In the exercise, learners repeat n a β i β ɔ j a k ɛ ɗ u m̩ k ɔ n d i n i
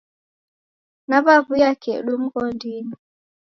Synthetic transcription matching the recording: n a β a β u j a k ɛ ɗ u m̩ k ɔ n d i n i